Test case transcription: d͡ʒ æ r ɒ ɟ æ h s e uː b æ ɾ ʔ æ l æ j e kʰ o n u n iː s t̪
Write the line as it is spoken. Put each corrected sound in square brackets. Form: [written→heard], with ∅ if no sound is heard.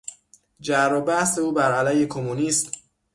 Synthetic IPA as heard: d͡ʒ æ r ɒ [ɟ→b] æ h s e uː b æ ɾ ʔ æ l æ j e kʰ o [n→m] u n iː s t̪